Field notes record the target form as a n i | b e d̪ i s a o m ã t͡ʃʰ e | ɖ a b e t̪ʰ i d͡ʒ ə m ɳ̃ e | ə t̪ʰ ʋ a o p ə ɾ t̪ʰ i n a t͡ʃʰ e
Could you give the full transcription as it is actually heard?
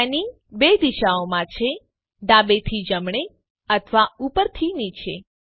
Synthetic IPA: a n i | b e d̪ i ʃ a o m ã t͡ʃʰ e | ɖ a b e t̪ʰ i d͡ʒ ə m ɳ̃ e | ə t̪ʰ ʋ a u p ə ɾ t̪ʰ i n i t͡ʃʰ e